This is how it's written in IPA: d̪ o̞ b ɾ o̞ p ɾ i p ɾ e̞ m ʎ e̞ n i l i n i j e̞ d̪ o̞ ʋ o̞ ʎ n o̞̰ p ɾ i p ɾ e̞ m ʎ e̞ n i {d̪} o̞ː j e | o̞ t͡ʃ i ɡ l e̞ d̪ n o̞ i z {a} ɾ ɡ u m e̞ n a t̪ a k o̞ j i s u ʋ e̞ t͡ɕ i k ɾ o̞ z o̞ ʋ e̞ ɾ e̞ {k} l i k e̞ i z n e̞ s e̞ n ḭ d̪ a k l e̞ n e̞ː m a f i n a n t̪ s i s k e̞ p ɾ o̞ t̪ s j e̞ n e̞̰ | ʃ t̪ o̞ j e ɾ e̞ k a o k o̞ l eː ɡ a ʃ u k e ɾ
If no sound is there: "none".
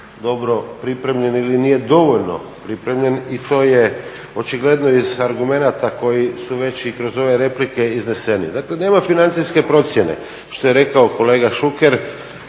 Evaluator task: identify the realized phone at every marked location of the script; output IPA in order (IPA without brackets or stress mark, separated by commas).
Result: t̪, a, p